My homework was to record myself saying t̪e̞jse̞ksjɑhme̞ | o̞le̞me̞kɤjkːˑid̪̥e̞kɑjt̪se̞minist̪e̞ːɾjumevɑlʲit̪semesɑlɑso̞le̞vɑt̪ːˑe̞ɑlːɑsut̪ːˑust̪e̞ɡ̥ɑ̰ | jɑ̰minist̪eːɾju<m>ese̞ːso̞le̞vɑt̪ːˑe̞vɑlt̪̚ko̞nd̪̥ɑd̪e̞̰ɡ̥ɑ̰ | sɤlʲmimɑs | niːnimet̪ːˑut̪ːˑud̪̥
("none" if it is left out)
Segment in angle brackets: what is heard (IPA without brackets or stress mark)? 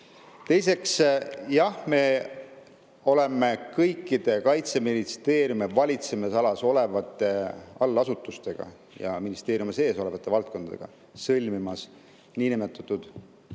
m